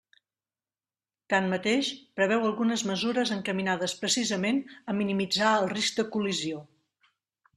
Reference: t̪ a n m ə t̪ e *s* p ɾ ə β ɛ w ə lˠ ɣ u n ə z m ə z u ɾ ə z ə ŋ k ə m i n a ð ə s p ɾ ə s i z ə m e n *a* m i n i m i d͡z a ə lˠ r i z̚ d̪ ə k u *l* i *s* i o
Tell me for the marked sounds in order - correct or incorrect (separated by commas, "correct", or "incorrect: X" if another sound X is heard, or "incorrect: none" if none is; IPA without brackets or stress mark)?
incorrect: ʃ, incorrect: ə, correct, incorrect: z